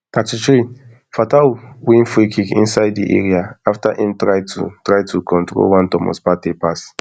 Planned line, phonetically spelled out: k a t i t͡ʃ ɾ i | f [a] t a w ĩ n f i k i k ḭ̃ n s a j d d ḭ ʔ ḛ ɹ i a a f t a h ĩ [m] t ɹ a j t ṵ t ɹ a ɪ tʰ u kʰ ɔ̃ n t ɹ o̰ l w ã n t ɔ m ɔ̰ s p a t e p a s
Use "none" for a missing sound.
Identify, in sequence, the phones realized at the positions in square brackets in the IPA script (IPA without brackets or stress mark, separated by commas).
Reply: a, m